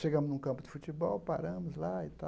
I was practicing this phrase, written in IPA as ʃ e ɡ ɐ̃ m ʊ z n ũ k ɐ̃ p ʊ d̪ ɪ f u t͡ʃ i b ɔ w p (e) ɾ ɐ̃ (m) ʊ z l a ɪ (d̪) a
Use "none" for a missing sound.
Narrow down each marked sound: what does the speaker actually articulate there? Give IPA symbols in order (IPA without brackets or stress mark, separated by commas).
a, m, t̪